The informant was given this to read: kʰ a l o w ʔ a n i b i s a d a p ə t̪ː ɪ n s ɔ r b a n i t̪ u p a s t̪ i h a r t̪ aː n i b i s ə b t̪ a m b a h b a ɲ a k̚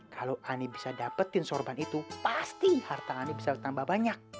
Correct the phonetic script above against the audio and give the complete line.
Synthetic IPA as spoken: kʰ a l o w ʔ a n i b i s a d a p ə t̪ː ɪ n s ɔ r b a n i t̪ u p a s t̪ i h a r t̪ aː n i b i s a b t̪ a m b a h b a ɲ a k̚